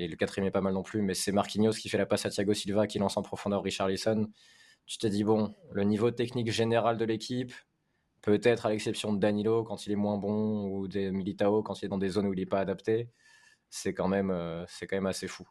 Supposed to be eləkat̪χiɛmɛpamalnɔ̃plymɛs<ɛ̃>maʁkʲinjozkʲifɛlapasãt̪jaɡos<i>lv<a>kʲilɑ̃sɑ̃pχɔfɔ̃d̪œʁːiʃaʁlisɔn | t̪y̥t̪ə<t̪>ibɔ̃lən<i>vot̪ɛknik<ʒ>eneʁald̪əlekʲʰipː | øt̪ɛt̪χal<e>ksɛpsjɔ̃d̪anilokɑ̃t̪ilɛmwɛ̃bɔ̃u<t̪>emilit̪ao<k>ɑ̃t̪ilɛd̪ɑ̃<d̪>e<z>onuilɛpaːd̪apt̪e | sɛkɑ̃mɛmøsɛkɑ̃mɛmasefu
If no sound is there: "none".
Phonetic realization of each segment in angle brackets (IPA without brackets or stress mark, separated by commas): ɛ, i, a, d̪, i, ʒ, ɛ, d̪, k, d̪, z